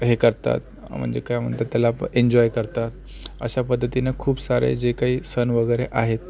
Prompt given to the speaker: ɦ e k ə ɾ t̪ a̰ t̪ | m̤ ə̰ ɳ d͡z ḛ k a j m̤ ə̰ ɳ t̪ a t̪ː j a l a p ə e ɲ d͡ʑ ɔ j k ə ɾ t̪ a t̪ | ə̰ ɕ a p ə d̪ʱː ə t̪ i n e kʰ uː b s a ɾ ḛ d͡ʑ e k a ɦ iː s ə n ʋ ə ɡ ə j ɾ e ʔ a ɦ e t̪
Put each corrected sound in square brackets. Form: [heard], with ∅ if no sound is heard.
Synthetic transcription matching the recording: ɦ e k ə ɾ t̪ a̰ t̪ | m̤ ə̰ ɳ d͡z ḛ k a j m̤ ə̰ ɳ t̪ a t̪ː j a l a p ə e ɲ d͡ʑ ɔ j k ə ɾ t̪ a t̪ | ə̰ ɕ a p ə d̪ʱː ə t̪ i n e kʰ uː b s a ɾ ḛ d͡ʑ e k a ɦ iː s ə n ʋ ə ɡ ə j ɾ e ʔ a ɦ e t̪